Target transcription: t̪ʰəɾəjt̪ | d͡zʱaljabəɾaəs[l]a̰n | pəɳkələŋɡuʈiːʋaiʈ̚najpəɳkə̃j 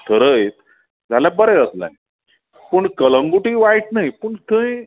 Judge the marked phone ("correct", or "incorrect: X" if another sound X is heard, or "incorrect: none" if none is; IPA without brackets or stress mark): correct